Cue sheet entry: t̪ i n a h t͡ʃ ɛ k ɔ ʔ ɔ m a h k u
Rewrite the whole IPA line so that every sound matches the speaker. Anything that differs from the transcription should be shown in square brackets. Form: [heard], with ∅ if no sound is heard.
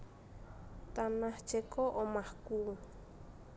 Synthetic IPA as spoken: t̪ [a] n a h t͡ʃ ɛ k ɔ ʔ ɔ m a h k u